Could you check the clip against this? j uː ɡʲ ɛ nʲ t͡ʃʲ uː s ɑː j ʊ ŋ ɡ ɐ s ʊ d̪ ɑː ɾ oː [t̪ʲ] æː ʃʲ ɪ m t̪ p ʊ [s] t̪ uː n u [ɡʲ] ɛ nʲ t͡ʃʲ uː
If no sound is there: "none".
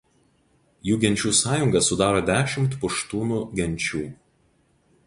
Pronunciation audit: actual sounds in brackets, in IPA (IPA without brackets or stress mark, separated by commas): d̪ʲ, ʃ, ɡʲ